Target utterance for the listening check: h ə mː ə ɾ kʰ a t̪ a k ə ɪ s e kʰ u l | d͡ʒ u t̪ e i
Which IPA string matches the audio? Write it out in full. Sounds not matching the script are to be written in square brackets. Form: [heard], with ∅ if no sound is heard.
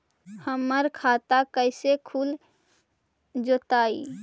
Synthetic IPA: h ə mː ə ɾ kʰ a t̪ a k ə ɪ s e kʰ u l | d͡ʒ [o] t̪ [a] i